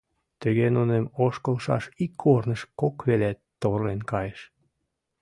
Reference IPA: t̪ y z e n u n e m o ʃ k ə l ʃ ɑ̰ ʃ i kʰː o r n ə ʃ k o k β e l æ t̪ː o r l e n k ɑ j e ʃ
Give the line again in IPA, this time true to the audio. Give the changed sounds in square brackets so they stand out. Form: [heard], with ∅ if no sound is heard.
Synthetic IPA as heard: t̪ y [ɣ] e n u n e m o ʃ k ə l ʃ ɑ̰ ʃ i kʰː o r n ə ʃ k o k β e l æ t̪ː o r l e n k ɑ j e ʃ